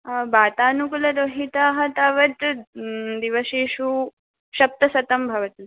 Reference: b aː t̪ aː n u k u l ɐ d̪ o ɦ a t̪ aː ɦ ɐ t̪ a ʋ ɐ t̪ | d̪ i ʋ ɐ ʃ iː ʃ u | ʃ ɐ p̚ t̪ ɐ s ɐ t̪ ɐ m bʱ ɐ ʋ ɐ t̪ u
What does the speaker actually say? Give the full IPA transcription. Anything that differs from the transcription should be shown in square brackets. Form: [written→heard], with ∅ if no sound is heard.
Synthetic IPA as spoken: b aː t̪ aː n u k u l ɐ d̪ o ɦ [a→i] t̪ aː ɦ ɐ t̪ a ʋ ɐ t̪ | d̪ i ʋ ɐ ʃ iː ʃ u | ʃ ɐ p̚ t̪ ɐ s ɐ t̪ ɐ m bʱ ɐ ʋ ɐ t̪ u